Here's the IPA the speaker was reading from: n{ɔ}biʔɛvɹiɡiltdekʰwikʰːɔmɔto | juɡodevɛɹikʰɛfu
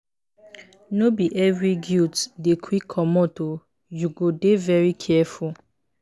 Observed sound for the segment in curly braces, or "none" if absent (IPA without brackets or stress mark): o